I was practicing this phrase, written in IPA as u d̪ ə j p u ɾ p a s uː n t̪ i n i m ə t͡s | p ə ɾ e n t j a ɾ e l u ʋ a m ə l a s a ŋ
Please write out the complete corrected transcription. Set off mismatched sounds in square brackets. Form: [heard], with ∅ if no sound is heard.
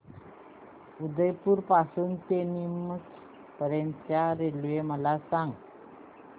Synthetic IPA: u d̪ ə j p u ɾ p a s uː n t̪ [e] n i m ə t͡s | p ə ɾ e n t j a ɾ e l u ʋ [e] m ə l a s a ŋ